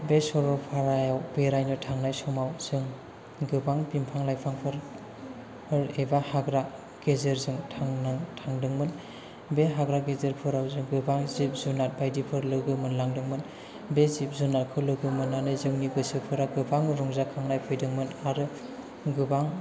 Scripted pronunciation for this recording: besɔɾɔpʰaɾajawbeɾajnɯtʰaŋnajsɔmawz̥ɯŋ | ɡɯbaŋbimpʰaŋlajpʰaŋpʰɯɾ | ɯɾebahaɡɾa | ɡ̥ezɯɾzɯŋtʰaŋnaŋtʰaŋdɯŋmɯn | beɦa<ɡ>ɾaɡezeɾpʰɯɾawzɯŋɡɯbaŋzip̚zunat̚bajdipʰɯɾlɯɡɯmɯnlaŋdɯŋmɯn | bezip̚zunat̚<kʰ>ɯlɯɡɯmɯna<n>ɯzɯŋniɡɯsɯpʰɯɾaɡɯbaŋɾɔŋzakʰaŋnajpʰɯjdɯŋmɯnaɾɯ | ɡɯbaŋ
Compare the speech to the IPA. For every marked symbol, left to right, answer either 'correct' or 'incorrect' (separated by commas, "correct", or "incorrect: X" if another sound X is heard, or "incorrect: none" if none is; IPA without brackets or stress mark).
correct, correct, correct